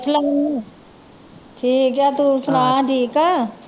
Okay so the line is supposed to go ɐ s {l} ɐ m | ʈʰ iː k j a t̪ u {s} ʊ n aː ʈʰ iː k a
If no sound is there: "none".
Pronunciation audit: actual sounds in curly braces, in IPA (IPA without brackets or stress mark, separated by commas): l, s